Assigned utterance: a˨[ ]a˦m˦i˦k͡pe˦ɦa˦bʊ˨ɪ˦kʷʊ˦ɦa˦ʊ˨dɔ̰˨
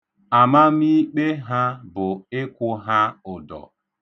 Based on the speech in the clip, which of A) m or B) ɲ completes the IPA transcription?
A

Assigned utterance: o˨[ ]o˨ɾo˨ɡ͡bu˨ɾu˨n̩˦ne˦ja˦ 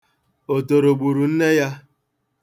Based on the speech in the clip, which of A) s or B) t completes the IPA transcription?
B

